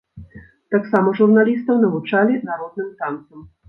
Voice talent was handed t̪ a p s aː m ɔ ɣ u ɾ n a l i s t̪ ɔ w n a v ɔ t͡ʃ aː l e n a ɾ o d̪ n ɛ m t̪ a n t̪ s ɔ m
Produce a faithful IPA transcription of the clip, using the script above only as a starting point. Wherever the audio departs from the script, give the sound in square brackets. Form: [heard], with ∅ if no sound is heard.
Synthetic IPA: t̪ a [k] s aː m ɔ [ʒ] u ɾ n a l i s t̪ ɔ w n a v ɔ t͡ʃ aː l [i] n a ɾ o d̪ n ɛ m t̪ a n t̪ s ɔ m